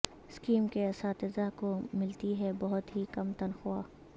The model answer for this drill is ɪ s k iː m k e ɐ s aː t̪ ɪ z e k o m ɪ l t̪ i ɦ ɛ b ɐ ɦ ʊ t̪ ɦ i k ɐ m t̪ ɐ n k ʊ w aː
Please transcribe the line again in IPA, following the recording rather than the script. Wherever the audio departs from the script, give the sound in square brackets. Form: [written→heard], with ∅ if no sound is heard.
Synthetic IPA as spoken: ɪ s k iː m k e ɐ s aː t̪ ɪ z [e→a] k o m ɪ l t̪ i ɦ ɛ b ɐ ɦ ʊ t̪ ɦ i k ɐ m t̪ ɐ n [k→x] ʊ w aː